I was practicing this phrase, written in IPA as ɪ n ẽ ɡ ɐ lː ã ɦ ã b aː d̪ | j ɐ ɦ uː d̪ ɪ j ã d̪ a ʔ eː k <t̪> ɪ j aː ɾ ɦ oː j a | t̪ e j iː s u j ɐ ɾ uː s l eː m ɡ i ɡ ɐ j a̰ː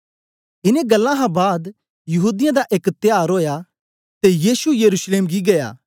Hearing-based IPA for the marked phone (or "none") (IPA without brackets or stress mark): t̪